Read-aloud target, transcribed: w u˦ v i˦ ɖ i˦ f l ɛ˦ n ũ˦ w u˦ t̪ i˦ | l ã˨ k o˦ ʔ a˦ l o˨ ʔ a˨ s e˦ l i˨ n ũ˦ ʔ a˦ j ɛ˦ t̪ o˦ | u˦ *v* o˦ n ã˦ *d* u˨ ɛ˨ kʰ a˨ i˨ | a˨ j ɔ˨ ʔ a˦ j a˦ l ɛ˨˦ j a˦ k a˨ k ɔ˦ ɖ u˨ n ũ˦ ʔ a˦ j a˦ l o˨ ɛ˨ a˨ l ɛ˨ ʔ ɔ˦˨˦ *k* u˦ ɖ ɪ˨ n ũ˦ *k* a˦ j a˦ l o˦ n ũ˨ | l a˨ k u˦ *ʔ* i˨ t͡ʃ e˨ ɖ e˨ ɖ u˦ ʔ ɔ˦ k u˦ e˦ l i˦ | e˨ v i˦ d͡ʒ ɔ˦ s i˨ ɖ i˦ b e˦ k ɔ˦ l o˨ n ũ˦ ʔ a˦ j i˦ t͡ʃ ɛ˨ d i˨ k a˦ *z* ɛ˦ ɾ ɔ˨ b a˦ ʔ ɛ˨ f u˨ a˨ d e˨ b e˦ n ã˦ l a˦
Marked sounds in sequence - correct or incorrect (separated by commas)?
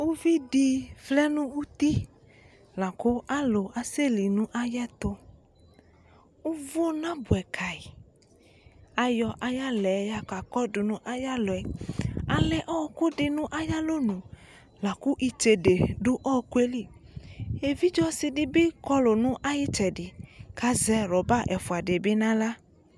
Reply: correct, incorrect, correct, incorrect, correct, correct